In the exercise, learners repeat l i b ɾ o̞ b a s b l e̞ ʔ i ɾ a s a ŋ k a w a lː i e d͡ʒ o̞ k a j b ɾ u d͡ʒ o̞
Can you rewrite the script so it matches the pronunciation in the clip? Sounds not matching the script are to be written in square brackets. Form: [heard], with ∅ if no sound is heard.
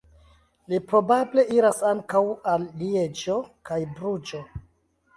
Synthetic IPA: l i [p] ɾ o̞ b a [∅] b l e̞ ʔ i ɾ a s a ŋ k a w a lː i e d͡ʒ o̞ k a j b ɾ u d͡ʒ o̞